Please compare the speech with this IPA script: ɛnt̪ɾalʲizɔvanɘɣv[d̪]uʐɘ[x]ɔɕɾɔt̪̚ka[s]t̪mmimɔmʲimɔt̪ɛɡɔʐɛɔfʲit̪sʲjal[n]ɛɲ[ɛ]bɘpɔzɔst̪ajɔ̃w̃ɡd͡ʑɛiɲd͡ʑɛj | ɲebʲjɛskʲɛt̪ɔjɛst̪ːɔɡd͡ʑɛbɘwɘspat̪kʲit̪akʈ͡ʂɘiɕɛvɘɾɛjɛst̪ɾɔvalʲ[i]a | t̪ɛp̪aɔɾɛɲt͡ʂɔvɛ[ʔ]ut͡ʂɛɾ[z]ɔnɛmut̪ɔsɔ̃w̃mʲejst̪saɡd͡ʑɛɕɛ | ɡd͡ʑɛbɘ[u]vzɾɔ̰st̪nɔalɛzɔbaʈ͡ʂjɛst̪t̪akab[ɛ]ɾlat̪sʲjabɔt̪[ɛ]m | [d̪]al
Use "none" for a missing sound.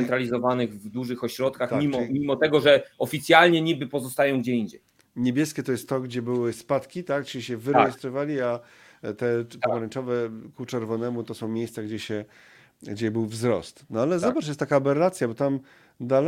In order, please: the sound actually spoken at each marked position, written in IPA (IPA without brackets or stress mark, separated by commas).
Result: d̪, x, x, ɲ, i, i, k, v, w, ɛ, a, d̪